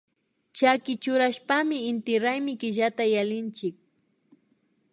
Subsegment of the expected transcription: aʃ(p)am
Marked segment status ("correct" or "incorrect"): correct